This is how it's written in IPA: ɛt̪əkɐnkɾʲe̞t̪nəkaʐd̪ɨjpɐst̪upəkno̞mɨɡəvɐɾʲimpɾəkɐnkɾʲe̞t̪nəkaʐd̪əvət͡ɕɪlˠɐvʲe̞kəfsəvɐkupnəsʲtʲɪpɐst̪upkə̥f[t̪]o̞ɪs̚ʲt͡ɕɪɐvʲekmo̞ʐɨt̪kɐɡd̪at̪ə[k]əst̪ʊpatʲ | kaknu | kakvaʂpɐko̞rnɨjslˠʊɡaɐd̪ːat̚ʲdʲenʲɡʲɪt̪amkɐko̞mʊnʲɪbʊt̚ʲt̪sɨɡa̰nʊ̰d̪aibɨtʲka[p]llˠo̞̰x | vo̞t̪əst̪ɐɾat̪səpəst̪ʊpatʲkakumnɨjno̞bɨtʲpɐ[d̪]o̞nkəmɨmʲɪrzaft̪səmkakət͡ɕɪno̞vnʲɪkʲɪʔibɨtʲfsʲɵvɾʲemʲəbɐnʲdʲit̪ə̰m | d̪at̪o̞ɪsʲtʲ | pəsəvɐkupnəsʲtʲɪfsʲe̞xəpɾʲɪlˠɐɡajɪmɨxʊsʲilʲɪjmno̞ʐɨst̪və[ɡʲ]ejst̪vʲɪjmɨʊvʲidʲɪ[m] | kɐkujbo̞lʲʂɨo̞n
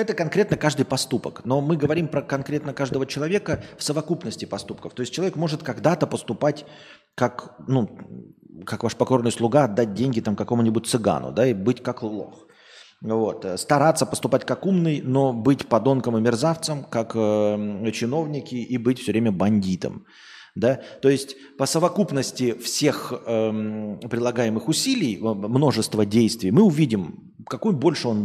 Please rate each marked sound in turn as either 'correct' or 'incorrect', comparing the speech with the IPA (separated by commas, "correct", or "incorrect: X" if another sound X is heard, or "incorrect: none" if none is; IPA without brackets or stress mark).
correct, incorrect: p, incorrect: k, correct, incorrect: dʲ, correct